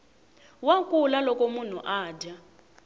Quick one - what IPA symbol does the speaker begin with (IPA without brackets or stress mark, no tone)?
w